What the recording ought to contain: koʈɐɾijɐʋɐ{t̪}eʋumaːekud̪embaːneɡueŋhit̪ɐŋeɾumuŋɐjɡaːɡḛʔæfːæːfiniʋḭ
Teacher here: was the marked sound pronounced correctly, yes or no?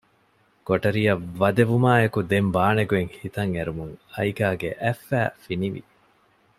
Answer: no